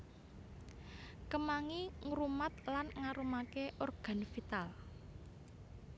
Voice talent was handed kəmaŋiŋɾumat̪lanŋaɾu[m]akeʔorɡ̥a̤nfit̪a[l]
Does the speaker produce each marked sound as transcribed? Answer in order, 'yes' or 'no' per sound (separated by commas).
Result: yes, yes